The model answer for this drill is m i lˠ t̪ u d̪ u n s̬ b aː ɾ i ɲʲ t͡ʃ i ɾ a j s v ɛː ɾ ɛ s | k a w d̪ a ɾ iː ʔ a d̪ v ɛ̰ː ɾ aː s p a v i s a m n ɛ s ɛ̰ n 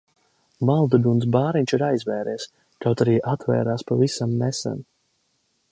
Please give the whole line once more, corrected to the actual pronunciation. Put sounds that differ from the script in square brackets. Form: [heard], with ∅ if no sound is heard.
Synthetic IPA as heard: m [a] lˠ [d̪] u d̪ u n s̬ b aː ɾ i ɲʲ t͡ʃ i ɾ a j [z] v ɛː ɾ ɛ s | k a w [t̪] a ɾ iː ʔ a [t̪] v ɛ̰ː ɾ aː s p a v i s a m n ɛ s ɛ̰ n